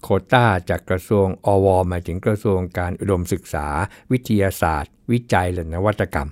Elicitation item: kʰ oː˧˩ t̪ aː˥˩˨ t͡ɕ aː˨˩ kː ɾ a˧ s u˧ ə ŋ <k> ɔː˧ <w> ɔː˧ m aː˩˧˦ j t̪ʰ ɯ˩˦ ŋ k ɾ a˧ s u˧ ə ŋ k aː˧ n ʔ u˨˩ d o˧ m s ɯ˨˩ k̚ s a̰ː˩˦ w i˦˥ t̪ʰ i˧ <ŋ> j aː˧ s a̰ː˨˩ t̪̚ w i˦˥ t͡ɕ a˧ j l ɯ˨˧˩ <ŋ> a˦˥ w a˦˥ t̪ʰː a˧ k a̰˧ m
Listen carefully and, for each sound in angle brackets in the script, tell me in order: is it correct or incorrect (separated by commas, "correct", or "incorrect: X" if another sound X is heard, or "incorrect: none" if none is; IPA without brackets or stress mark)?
incorrect: ʔ, correct, incorrect: none, incorrect: n